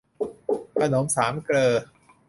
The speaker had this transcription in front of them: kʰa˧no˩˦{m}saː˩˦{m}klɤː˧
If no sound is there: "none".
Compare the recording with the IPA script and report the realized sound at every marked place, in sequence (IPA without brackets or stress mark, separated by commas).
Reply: m, m